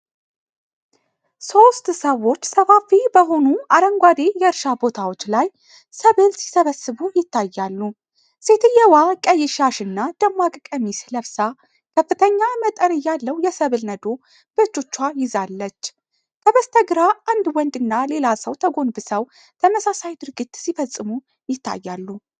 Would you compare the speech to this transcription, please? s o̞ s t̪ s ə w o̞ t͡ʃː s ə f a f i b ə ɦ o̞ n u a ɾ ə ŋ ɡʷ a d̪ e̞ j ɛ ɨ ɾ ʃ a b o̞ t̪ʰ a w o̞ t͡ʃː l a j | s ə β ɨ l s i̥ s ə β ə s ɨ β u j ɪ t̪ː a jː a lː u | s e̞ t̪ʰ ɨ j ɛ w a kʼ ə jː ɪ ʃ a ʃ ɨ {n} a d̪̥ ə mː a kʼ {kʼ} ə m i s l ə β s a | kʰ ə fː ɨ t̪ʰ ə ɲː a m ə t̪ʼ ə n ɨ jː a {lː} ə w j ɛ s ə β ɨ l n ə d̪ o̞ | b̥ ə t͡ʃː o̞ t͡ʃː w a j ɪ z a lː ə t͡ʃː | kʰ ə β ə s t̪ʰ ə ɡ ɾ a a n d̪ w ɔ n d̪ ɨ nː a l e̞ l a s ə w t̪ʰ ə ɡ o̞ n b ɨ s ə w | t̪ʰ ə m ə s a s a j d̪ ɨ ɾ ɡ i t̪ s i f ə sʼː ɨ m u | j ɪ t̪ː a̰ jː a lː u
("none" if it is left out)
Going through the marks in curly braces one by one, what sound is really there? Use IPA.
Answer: nː, kʼ, lː

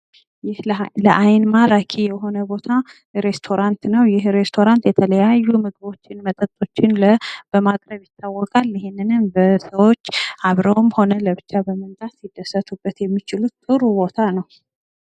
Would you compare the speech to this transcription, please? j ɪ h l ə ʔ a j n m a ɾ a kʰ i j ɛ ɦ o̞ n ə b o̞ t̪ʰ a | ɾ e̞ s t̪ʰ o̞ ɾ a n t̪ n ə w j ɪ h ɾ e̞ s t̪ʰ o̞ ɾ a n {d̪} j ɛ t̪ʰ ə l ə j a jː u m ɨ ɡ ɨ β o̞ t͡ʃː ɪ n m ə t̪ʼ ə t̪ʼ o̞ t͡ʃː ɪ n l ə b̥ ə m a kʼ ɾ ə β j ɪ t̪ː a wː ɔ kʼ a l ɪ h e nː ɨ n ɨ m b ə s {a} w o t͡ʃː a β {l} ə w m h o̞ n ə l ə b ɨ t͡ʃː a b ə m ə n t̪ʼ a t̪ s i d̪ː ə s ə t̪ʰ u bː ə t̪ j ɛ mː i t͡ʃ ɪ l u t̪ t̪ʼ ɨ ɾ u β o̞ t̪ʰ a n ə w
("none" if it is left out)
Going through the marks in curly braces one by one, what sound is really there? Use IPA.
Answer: t̪, ə, ɾ

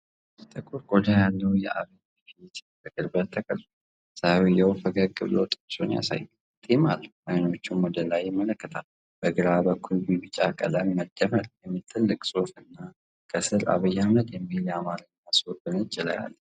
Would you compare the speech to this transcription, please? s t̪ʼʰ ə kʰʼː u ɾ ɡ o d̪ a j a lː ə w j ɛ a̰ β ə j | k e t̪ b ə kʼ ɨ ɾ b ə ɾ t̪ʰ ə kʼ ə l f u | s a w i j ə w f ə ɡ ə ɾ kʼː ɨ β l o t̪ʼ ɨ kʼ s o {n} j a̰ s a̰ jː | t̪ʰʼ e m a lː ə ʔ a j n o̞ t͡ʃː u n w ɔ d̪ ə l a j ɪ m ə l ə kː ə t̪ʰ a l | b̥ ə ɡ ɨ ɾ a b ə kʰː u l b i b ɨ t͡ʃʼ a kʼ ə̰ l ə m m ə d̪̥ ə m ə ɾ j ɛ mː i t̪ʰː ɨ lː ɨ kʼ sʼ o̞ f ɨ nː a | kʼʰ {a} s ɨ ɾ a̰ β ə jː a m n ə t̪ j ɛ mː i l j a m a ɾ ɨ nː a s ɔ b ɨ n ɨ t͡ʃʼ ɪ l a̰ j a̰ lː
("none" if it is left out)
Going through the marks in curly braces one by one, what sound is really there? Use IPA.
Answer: n, ə

